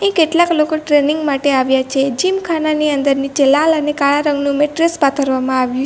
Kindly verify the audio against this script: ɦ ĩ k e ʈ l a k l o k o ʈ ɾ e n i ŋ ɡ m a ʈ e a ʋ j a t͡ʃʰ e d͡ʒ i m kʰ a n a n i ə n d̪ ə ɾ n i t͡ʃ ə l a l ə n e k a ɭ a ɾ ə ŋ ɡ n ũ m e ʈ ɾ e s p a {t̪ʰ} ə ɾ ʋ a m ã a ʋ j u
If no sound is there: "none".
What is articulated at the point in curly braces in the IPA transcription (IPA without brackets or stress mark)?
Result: t̪ʰ